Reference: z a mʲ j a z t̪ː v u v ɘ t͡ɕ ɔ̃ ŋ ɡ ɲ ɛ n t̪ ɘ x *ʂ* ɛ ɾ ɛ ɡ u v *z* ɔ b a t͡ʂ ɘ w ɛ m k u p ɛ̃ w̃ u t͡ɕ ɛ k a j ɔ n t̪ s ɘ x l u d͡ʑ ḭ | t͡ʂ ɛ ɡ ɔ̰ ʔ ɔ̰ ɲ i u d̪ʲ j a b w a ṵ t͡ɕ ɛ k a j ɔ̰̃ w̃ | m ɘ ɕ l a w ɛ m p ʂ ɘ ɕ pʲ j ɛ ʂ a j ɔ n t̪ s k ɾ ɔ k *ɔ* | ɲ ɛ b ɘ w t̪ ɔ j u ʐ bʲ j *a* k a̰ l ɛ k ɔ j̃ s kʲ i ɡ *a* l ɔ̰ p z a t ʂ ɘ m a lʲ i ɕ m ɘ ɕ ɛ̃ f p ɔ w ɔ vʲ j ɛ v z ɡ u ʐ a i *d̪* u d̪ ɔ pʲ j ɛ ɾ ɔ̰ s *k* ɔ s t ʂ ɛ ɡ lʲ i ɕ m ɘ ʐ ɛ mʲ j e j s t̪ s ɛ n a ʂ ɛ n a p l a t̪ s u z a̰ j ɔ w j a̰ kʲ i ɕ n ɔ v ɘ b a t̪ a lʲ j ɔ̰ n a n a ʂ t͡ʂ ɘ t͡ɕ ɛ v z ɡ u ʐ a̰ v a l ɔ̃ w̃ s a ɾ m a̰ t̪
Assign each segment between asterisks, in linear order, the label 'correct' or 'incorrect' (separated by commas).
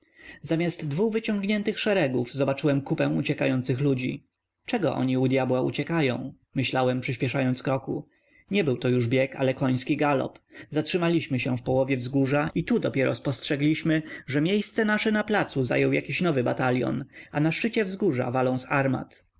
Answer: correct, correct, incorrect, incorrect, correct, incorrect, incorrect